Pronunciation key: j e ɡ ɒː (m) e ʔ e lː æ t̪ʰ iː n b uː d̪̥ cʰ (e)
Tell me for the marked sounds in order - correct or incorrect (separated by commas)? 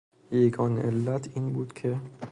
incorrect, correct